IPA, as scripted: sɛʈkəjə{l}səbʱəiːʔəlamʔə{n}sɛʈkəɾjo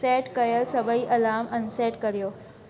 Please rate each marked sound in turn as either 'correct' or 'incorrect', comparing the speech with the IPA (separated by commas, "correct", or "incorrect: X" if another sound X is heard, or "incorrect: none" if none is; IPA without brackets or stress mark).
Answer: correct, correct